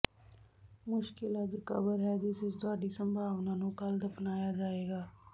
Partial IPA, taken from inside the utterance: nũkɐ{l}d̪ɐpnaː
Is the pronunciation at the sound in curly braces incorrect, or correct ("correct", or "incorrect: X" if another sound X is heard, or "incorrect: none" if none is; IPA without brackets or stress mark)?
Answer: correct